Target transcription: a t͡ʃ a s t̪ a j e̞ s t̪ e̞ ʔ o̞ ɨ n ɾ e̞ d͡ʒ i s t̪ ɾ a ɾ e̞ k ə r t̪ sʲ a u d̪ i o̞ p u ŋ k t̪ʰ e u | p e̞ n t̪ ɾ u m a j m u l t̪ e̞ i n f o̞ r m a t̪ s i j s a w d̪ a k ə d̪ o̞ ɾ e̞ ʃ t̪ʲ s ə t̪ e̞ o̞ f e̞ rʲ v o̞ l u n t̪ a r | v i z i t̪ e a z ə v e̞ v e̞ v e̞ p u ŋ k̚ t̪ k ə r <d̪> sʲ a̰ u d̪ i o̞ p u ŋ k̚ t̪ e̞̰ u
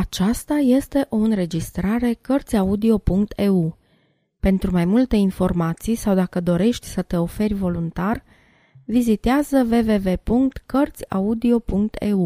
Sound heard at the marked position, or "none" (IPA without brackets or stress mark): t̪